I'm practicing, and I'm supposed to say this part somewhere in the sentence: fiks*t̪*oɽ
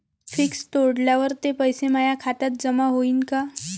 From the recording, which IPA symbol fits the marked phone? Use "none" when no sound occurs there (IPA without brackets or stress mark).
t̪